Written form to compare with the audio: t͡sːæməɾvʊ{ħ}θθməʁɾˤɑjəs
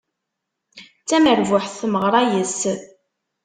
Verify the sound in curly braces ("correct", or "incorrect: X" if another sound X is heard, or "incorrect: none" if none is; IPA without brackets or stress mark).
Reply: correct